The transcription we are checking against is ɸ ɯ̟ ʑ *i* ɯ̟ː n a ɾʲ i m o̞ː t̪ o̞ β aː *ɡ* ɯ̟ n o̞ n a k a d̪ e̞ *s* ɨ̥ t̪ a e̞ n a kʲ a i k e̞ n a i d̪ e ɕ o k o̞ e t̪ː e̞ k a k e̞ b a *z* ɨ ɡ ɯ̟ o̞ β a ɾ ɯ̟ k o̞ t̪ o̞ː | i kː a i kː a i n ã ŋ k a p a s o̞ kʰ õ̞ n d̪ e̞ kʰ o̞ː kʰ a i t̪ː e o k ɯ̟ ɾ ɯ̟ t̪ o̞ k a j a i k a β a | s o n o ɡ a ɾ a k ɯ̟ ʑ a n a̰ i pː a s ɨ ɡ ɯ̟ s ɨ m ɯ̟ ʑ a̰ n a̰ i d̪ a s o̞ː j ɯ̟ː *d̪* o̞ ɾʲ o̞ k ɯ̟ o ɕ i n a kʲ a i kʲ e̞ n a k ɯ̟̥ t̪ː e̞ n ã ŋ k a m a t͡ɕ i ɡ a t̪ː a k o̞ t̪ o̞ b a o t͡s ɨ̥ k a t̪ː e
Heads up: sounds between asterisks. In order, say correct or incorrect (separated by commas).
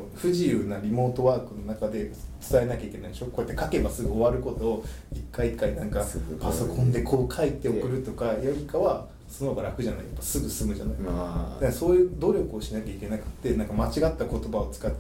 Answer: correct, incorrect, incorrect, incorrect, correct